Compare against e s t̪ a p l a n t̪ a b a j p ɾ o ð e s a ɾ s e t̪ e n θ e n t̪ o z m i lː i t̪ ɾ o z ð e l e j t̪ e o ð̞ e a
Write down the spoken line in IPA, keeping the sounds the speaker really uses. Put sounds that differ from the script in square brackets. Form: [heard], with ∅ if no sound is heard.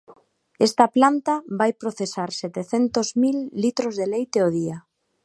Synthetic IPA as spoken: e s t̪ a p l a n t̪ a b a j p ɾ o [θ] e s a ɾ s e t̪ e [∅] θ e n t̪ o z m i lː i t̪ ɾ o z ð e l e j t̪ e o ð̞ [i] a